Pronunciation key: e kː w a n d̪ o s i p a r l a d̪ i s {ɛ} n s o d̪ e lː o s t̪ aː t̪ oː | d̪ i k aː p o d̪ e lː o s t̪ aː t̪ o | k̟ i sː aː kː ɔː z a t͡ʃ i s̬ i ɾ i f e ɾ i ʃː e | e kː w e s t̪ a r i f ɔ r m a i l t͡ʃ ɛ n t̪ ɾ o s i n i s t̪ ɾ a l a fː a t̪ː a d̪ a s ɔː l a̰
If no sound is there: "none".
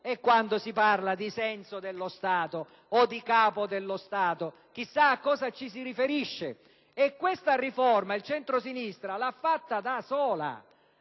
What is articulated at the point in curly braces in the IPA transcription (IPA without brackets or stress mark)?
ɛ